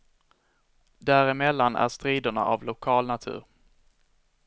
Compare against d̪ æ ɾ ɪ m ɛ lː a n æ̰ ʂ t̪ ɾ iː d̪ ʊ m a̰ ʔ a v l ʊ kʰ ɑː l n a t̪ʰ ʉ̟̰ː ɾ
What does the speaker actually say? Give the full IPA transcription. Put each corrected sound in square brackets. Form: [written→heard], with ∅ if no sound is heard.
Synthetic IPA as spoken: d̪ æ ɾ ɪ m ɛ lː a n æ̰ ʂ t̪ ɾ iː d̪ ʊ [m→ɳ] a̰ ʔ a v l ʊ kʰ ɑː l n a t̪ʰ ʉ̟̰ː ɾ